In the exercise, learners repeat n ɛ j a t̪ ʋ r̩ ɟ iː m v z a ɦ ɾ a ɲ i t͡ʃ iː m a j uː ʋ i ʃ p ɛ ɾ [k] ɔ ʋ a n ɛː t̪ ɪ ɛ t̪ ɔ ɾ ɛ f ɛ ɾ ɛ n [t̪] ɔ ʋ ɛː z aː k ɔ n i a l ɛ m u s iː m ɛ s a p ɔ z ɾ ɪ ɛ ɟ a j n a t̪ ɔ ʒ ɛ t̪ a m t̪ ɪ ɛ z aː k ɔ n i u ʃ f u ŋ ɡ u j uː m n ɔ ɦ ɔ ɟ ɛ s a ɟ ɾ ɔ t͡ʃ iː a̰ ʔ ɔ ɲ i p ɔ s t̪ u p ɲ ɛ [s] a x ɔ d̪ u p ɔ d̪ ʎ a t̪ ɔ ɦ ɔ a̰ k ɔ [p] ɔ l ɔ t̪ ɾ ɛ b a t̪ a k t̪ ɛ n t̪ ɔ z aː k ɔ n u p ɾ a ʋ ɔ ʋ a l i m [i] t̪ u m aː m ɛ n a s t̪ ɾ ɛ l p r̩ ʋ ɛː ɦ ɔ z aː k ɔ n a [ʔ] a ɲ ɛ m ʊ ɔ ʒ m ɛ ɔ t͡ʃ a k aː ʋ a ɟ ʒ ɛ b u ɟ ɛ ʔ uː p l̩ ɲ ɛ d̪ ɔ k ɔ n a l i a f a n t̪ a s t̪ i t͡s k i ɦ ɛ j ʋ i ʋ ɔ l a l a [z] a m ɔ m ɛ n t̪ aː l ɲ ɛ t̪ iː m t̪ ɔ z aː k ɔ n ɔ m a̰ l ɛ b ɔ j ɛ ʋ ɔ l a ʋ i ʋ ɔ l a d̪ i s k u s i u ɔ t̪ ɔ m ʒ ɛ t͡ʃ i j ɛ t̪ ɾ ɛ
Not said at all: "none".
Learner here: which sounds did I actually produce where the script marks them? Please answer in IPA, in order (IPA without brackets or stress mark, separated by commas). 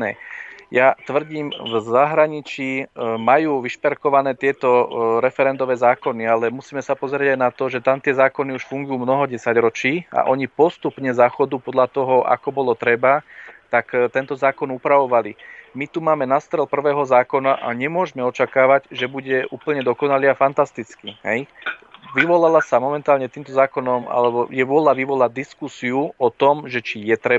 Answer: k, d̪, z, b, i, ʔ, s